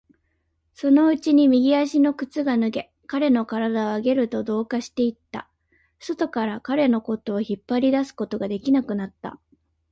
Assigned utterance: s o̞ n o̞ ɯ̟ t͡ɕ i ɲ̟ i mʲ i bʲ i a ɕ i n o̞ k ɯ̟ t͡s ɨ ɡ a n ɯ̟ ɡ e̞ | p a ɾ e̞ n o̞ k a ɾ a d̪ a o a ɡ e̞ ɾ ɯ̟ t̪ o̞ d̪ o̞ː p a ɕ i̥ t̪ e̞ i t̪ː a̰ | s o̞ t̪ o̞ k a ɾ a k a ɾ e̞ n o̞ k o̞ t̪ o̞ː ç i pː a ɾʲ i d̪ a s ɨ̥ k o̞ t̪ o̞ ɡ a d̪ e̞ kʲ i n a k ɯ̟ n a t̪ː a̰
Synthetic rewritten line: s o̞ n o̞ ɯ̟ t͡ɕ i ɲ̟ i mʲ i ɡʲ i a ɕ i n o̞ k ɯ̟ t͡s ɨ ɡ a n ɯ̟ ɡ e̞ | k a ɾ e̞ n o̞ k a ɾ a d̪ a o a ɡ e̞ ɾ ɯ̟ t̪ o̞ d̪ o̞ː k a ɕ i̥ t̪ e̞ i t̪ː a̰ | s o̞ t̪ o̞ k a ɾ a k a ɾ e̞ n o̞ k o̞ t̪ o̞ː ç i pː a ɾʲ i d̪ a s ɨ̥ k o̞ t̪ o̞ ɡ a d̪ e̞ kʲ i n a k ɯ̟ n a t̪ː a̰